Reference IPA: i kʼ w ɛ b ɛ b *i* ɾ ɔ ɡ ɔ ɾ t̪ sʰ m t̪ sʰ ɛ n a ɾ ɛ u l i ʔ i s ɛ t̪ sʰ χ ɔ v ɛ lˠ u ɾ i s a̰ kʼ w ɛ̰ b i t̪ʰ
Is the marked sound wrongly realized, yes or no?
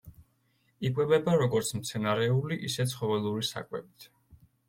yes